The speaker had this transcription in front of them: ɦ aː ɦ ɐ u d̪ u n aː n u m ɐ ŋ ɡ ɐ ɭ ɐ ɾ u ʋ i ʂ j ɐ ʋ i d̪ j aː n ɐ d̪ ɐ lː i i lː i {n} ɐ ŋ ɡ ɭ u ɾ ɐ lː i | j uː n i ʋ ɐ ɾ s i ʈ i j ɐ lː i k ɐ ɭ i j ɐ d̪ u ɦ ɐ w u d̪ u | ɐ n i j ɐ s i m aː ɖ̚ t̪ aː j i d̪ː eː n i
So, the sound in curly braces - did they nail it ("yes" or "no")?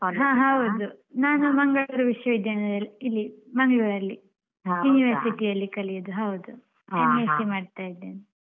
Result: no